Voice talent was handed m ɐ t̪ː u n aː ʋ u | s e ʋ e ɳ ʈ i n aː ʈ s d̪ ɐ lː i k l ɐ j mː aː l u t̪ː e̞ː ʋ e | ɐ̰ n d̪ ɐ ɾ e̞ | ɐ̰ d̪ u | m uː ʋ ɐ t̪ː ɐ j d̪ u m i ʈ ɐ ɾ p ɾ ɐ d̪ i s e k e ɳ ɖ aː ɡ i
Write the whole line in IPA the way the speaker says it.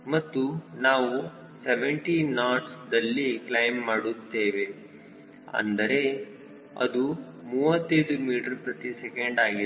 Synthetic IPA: m ɐ t̪ː u n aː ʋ u | s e ʋ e ɳ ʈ i n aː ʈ s d̪ ɐ lː i k l ɐ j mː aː ɽ u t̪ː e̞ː ʋ e | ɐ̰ n d̪ ɐ ɾ e̞ | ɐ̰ d̪ u | m uː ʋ ɐ t̪ː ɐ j d̪ u m iː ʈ ɐ ɾ p ɾ ɐ t̪ i s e k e ɳ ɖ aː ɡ i